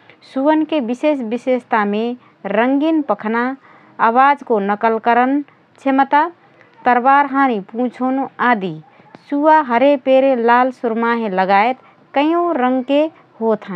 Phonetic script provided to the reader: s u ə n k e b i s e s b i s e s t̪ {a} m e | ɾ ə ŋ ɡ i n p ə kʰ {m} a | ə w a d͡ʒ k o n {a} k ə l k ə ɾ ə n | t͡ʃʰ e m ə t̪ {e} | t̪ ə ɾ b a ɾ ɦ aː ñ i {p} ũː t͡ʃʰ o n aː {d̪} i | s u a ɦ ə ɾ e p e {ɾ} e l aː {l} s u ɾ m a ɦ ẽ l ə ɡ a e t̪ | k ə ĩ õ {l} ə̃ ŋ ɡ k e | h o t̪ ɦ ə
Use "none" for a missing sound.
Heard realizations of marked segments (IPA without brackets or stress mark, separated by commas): a, n, ə, a, p, d̪, ɾ, l, ɾ